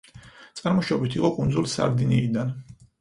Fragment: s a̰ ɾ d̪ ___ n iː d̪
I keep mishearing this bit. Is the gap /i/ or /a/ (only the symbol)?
i